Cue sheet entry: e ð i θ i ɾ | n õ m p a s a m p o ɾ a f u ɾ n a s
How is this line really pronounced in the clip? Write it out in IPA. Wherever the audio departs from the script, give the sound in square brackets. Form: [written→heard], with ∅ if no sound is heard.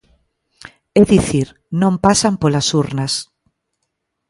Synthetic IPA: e ð i θ i ɾ | n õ m p a s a m p o [ɾ→l] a [f→s] u ɾ n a s